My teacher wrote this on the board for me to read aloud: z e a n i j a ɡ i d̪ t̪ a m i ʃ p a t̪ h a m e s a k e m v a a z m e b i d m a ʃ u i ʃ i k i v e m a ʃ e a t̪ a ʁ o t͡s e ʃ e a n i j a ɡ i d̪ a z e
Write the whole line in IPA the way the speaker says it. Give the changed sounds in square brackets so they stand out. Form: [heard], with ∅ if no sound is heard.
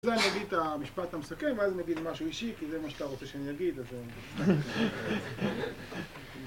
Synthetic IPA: z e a n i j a ɡ i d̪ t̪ a m i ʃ p a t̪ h a m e s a k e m v [e] a z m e [ɡ] i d m a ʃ u i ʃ i k i [z] e m a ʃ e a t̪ a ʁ o t͡s e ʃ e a n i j a ɡ i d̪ a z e